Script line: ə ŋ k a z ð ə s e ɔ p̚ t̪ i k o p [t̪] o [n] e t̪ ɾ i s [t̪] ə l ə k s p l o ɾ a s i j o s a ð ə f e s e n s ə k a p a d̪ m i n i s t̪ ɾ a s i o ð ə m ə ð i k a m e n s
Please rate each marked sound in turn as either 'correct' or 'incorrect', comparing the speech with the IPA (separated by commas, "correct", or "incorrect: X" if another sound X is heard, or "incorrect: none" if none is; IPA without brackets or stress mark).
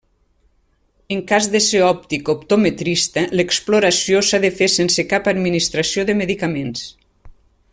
correct, incorrect: m, correct